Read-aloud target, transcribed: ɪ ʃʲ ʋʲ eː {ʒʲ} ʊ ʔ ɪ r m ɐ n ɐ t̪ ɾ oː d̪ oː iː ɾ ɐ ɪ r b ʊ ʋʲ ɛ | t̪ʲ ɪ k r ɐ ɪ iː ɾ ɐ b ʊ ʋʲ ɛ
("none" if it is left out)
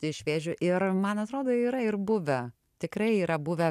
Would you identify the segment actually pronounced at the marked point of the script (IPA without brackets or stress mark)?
ʒʲ